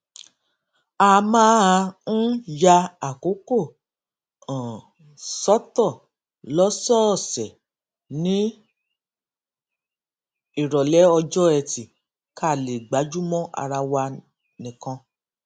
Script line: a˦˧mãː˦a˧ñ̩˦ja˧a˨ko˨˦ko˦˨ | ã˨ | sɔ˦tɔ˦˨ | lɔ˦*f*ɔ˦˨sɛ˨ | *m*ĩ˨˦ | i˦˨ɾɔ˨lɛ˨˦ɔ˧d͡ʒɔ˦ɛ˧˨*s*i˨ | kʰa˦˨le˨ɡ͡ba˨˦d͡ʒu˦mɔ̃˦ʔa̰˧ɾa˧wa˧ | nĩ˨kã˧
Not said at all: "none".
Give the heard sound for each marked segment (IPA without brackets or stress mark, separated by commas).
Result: s, n, t